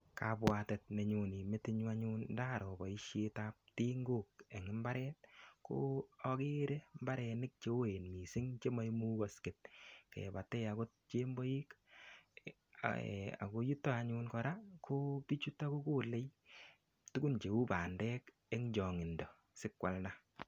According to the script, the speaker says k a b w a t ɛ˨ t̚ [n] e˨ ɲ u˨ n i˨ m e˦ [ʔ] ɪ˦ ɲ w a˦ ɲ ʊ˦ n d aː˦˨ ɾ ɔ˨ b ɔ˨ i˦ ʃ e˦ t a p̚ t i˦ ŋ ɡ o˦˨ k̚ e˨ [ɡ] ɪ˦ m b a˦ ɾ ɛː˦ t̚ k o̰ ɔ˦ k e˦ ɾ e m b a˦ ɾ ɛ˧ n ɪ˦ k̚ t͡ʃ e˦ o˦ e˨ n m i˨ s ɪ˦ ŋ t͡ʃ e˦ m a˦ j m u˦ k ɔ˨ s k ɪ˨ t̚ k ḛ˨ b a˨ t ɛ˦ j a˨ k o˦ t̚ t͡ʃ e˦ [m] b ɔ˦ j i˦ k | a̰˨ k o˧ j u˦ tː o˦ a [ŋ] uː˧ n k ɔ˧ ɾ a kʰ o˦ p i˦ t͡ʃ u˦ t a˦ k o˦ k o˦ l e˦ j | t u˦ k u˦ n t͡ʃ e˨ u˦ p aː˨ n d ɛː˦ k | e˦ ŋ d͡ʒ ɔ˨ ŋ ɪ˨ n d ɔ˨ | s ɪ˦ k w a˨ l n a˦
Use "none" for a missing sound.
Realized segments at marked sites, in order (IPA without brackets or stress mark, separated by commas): m, t, ŋ, m, ɲ